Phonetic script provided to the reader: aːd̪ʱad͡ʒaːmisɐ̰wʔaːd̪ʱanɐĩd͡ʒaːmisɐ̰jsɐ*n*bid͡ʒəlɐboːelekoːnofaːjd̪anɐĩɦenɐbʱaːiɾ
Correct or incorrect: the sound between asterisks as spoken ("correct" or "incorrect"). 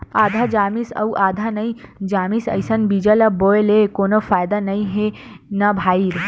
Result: correct